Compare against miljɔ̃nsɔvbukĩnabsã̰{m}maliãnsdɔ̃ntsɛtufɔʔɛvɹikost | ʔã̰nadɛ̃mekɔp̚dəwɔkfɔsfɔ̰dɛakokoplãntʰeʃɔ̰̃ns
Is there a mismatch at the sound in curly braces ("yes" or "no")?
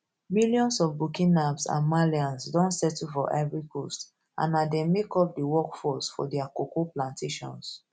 yes